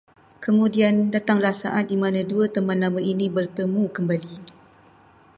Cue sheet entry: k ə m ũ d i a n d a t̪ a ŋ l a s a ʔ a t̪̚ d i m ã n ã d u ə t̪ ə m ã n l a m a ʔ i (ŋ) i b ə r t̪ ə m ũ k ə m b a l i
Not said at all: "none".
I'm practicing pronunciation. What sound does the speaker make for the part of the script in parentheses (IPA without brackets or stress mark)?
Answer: n